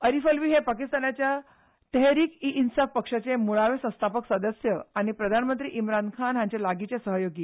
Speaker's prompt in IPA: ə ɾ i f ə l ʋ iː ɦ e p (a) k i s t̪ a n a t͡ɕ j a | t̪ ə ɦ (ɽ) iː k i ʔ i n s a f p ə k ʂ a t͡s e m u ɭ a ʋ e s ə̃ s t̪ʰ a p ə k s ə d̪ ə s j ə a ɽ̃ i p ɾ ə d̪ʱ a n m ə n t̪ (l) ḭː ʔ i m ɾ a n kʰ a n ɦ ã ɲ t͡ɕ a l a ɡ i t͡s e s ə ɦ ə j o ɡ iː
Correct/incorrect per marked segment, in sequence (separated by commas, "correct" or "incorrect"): correct, incorrect, incorrect